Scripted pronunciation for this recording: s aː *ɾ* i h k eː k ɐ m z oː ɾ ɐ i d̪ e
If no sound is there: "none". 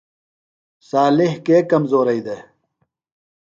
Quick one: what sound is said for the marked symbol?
l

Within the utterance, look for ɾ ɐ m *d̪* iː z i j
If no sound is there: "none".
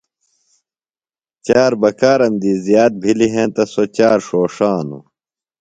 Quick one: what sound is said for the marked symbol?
d̪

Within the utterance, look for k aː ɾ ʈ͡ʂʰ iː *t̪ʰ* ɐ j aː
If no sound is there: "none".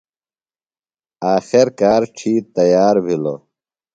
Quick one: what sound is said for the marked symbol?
t̪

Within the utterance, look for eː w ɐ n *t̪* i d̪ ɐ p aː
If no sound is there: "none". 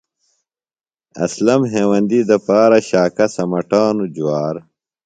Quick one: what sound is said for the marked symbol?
d̪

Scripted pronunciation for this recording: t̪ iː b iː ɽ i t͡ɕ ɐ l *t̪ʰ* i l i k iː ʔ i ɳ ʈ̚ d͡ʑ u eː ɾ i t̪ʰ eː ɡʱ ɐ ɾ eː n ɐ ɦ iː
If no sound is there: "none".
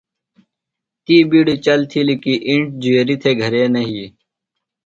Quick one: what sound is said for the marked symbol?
t̪ʰ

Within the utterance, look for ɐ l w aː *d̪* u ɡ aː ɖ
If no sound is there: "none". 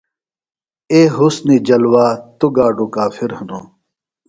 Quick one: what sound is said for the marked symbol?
t̪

